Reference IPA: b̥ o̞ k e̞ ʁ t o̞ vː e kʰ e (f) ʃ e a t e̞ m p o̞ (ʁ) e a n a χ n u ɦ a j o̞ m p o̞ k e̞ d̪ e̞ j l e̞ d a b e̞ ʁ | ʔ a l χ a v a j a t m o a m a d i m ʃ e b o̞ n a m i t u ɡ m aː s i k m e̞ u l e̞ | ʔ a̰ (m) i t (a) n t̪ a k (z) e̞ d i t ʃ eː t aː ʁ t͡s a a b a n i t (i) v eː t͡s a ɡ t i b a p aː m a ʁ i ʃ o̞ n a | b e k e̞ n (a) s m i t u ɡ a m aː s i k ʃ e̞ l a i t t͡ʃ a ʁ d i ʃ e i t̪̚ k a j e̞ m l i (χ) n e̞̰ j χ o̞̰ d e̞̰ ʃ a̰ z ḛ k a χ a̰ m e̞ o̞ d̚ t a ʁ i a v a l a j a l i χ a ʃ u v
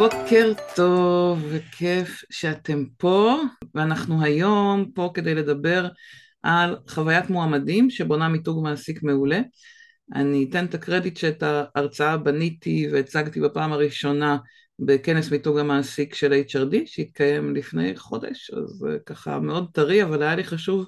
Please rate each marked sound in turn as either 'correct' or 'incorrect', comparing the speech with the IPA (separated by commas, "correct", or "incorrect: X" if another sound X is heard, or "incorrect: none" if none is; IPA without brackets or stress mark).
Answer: correct, incorrect: v, incorrect: n, incorrect: e, incorrect: ʁ, correct, incorrect: e, incorrect: f